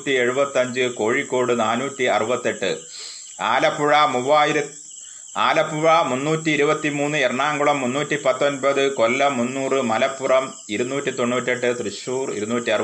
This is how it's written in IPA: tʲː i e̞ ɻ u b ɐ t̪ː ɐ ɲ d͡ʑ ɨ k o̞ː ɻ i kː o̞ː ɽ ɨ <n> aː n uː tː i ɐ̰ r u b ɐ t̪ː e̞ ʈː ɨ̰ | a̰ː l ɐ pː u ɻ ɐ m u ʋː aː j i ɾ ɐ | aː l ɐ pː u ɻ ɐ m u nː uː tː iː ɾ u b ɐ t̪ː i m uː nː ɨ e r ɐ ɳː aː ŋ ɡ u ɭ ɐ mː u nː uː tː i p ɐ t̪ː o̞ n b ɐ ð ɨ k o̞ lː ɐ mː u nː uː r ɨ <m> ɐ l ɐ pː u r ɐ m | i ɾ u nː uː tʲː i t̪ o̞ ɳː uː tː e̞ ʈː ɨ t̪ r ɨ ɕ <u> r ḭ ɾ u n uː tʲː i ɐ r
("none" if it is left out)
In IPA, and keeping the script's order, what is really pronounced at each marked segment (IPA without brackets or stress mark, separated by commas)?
n, m, uː